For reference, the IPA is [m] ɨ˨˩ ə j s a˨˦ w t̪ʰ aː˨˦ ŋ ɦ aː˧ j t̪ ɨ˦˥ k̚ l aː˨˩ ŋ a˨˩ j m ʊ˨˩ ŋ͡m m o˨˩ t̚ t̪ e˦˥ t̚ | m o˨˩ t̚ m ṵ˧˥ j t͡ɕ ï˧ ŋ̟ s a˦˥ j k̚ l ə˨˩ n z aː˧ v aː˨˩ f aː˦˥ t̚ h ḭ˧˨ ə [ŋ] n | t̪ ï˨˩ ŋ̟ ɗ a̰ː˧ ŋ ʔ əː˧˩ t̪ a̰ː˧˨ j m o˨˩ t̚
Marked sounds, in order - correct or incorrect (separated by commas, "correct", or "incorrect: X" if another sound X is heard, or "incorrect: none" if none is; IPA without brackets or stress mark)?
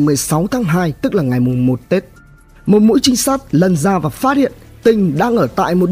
correct, incorrect: none